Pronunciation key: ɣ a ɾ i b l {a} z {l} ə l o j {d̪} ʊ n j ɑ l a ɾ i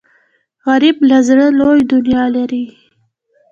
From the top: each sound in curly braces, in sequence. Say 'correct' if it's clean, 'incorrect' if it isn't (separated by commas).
correct, incorrect, correct